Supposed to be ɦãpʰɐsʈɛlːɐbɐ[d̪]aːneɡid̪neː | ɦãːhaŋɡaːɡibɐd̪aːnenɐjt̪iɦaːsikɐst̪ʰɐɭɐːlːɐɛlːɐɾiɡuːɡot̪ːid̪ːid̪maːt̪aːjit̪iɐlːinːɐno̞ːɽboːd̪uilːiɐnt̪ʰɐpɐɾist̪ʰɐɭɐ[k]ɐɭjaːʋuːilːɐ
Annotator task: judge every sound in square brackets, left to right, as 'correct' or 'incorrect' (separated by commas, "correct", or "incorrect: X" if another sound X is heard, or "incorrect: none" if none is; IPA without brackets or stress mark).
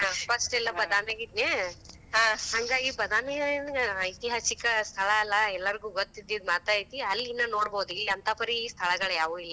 correct, incorrect: ɡ